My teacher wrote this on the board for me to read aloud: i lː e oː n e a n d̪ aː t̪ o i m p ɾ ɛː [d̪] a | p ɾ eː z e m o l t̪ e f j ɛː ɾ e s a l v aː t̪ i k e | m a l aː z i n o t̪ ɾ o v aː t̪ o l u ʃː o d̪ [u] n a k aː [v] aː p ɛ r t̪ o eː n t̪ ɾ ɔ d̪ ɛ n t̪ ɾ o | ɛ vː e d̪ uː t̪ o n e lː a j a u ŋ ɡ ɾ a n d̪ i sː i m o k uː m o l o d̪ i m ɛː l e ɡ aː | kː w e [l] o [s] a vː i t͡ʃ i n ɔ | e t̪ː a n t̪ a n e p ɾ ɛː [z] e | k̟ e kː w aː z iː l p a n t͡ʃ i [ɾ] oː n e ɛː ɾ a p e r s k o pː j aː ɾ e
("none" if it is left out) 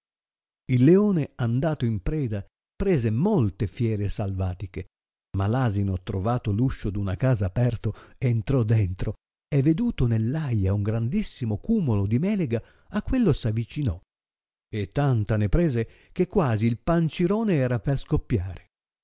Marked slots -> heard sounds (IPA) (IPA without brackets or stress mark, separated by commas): d̪, u, z, lː, s, z, ɾ